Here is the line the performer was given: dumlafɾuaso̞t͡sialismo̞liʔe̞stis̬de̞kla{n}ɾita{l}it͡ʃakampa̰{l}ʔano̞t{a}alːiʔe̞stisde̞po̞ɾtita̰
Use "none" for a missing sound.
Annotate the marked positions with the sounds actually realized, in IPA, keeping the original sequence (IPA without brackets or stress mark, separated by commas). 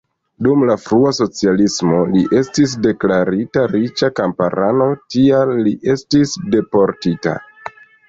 none, ɾ, ɾ, i